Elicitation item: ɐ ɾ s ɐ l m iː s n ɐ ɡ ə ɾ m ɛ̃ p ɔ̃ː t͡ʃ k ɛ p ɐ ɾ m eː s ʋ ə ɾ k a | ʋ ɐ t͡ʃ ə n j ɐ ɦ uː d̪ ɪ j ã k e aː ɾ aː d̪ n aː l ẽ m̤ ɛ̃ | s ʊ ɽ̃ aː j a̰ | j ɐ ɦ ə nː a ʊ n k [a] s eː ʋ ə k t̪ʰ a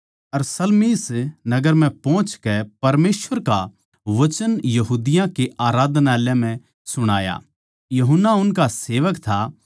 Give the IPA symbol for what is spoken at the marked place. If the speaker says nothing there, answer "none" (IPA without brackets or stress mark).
a